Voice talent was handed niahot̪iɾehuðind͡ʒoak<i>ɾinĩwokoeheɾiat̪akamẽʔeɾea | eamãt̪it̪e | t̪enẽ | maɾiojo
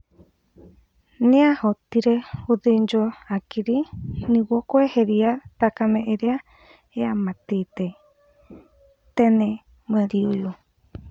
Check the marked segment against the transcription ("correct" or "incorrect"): correct